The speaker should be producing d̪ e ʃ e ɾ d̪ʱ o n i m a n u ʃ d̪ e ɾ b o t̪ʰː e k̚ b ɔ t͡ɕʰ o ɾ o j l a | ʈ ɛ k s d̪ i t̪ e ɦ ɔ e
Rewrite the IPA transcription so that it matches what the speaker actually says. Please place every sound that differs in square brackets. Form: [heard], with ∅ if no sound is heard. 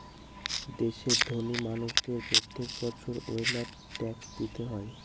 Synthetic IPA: d̪ e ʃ e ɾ d̪ʱ o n i m a n u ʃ d̪ e ɾ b o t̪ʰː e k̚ b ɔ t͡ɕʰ o ɾ o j l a | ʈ ɛ k s d̪ i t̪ e ɦ ɔ e